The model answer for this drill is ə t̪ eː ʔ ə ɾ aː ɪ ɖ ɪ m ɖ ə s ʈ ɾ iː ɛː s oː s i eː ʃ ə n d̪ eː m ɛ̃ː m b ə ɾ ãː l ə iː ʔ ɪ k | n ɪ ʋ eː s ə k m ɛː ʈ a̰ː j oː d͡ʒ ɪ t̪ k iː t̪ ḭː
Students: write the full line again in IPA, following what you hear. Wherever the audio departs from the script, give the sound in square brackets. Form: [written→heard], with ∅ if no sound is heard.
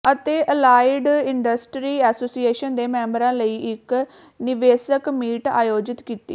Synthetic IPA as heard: ə t̪ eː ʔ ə [ɾ→l] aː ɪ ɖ ɪ [m→ɳ] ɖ ə s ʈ ɾ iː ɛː s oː s i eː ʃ ə n d̪ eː m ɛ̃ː m b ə ɾ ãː l ə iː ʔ ɪ k | n ɪ ʋ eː s ə k m [ɛː→iː] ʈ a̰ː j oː d͡ʒ ɪ t̪ k iː t̪ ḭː